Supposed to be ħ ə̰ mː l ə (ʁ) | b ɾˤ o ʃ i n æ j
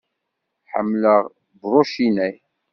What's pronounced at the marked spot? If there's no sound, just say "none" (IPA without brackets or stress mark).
ʁ